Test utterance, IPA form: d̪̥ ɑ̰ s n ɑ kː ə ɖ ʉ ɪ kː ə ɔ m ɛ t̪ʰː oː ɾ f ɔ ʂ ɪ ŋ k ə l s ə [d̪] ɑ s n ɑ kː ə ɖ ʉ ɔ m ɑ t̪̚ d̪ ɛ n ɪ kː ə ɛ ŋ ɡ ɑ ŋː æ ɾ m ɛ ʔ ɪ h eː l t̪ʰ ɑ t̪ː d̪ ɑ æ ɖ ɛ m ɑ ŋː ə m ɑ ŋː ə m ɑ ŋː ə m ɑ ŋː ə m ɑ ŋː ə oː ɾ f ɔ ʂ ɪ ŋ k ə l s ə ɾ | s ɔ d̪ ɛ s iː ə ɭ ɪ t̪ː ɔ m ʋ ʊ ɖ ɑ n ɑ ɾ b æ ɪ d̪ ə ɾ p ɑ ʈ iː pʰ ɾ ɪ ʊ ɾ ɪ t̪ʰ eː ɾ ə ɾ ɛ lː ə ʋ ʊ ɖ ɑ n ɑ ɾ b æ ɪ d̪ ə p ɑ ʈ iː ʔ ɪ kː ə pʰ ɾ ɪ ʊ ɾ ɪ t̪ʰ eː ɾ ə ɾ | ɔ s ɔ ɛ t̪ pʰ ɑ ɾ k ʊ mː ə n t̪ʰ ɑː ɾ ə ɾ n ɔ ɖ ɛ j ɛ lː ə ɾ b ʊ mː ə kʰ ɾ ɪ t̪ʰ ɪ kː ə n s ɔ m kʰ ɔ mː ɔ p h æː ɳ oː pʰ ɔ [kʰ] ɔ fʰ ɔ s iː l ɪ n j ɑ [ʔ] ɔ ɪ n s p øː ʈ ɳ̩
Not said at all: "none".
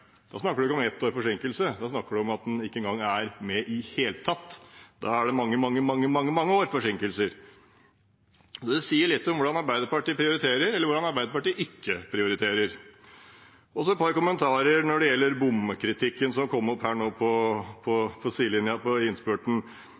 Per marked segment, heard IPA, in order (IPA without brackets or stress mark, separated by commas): d̪, pʰ, p